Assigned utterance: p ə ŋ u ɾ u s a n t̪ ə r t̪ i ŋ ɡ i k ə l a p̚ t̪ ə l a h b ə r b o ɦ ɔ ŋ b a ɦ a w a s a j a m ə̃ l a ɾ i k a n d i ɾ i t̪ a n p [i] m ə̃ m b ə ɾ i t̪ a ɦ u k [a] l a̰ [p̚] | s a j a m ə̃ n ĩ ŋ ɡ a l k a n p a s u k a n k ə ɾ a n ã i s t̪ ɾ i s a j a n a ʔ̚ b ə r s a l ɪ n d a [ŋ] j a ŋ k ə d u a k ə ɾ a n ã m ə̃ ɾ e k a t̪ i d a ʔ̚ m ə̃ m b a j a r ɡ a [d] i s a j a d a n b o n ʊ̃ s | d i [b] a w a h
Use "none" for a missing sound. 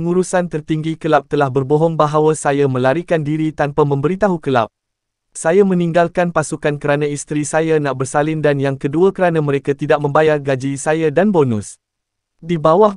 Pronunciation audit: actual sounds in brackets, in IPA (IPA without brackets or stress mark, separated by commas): a, ə, p̚, n, d͡ʒ, b